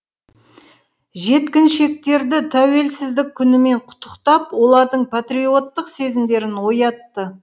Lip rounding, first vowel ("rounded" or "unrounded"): unrounded